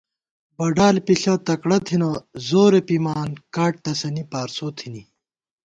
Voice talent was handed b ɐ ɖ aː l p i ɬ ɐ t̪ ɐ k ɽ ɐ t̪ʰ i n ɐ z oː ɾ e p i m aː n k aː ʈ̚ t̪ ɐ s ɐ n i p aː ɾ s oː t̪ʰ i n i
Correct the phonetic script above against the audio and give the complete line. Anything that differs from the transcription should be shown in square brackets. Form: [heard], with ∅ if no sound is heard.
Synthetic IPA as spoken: b ɐ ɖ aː l p i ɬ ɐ t̪ ɐ k ɽ ɐ t̪ʰ i n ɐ z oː ɾ e p i m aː n k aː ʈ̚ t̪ ɐ s ɐ n i p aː ɾ s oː t̪ʰ i n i